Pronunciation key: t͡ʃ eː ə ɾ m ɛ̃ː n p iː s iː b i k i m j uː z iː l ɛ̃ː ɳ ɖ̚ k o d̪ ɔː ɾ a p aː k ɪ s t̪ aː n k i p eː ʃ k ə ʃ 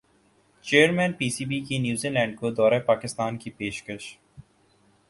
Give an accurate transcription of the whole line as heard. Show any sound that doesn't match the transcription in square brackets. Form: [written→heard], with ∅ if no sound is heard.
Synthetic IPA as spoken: t͡ʃ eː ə ɾ m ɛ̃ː n p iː s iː b i k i [m→n] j uː z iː l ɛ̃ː ɳ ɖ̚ k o d̪ ɔː ɾ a p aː k ɪ s t̪ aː n k i p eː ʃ k ə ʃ